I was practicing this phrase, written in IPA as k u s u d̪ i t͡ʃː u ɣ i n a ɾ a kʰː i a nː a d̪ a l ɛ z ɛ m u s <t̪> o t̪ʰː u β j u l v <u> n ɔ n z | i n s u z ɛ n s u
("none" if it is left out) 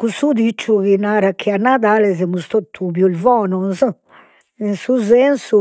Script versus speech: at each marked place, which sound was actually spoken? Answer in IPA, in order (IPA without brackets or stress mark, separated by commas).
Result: t̪, ɔ